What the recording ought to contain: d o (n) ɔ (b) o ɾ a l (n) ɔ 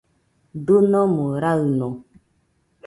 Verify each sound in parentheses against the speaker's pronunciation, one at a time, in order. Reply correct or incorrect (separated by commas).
correct, incorrect, correct